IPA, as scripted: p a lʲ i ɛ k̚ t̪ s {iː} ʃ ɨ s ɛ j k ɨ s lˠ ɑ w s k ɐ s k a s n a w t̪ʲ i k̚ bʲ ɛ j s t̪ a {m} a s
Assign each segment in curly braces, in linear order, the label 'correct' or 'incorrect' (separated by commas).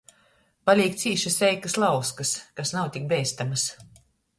correct, correct